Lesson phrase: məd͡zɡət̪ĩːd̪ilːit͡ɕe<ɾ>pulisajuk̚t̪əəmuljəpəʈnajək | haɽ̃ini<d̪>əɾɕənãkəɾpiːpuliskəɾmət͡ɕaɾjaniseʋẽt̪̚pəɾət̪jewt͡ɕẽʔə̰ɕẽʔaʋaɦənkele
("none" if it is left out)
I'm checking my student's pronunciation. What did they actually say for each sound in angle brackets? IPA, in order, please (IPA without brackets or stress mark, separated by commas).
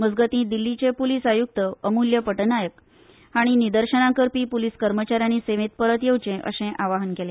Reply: none, d̪